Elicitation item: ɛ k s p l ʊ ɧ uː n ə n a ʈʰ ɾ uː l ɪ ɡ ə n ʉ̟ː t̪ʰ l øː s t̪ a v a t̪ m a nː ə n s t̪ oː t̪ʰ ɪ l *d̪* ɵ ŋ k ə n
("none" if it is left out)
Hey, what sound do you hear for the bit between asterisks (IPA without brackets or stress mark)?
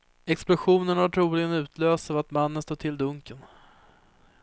d̪